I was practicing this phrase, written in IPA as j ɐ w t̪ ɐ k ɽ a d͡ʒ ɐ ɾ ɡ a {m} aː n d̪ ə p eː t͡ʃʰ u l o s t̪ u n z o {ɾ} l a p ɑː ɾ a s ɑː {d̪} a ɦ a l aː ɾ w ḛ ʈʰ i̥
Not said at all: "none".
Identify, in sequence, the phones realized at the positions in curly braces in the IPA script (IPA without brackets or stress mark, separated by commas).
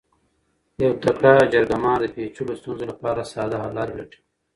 m, none, d̪